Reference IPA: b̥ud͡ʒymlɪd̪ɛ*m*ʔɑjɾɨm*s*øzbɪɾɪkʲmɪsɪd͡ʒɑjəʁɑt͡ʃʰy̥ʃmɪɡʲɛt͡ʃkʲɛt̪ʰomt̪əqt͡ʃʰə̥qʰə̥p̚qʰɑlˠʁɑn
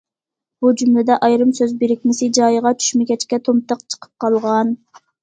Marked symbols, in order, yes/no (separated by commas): no, yes